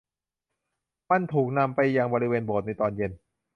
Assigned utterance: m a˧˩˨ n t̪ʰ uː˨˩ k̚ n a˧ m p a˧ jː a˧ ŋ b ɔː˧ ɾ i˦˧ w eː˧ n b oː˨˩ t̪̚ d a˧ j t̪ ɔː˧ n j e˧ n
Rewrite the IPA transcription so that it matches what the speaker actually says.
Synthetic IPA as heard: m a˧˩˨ n t̪ʰ uː˨˩ k̚ n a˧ m p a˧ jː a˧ ŋ b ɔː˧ ɾ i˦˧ w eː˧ n b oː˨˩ t̪̚ n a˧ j t̪ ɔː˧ n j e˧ n